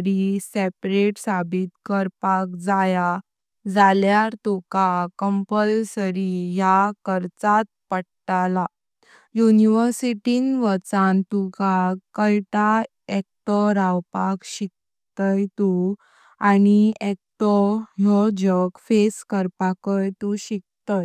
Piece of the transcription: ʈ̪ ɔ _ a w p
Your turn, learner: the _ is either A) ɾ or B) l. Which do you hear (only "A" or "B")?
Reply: A